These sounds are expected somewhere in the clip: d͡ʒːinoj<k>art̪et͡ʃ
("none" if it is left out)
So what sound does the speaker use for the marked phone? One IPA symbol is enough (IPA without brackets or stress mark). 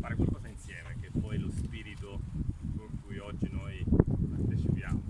p